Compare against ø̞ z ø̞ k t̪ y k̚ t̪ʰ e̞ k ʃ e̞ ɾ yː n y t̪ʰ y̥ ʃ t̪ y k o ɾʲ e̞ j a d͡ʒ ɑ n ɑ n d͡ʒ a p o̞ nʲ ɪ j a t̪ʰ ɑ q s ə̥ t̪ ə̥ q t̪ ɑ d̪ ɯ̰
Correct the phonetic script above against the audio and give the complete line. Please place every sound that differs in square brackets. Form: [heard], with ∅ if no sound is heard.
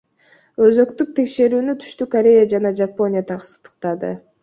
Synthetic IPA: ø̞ z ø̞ k t̪ y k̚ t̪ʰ e̞ k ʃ e̞ ɾ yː n y t̪ʰ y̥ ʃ t̪ y k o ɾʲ e̞ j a d͡ʒ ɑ n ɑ [∅] d͡ʒ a p o̞ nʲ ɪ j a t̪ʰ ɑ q s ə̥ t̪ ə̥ q t̪ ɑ d̪ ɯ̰